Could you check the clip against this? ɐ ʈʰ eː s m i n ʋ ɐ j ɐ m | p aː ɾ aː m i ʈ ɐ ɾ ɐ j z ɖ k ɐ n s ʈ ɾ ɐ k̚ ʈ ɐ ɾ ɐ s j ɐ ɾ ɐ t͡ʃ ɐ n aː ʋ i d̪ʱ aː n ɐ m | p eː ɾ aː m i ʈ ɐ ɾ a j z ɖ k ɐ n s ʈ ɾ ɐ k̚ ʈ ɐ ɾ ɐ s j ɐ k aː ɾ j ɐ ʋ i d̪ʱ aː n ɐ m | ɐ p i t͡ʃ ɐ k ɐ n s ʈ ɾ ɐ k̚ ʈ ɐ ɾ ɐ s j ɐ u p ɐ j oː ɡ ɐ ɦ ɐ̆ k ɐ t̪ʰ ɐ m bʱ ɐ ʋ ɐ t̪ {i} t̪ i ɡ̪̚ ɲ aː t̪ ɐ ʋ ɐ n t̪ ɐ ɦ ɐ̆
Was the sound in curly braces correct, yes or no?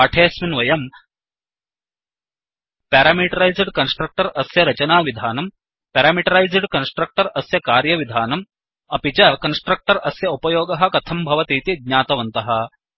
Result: no